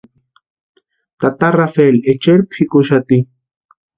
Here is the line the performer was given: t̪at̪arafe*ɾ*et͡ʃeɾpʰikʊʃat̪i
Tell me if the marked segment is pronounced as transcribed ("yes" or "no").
no